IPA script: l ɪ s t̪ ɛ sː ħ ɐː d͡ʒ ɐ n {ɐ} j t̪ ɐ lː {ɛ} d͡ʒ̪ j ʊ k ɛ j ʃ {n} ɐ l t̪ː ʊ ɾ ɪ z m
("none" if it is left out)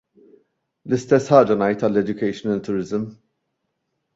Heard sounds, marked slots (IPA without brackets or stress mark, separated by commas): ɐ, ɛ, n